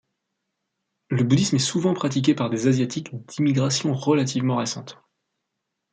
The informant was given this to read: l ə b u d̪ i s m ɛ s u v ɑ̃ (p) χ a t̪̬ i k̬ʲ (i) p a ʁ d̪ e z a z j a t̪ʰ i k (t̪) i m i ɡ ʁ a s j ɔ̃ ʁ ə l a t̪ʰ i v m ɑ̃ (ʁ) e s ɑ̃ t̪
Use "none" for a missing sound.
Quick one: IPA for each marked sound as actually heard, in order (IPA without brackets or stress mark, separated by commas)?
p, e, d̪, ʁ